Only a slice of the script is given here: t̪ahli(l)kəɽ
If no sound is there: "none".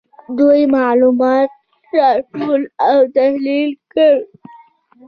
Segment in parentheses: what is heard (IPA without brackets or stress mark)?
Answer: l